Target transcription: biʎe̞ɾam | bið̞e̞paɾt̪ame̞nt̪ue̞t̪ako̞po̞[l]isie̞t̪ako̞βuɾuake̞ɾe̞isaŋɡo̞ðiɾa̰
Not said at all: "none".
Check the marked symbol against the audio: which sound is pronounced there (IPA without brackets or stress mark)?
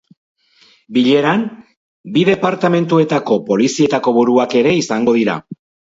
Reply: l